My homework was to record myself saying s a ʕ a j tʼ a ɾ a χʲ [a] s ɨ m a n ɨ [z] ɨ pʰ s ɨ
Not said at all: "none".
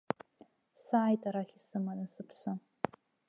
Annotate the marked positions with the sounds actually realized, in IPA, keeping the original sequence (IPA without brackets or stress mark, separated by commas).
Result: i, s